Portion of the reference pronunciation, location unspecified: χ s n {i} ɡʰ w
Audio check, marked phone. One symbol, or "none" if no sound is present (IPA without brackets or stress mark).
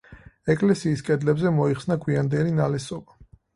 a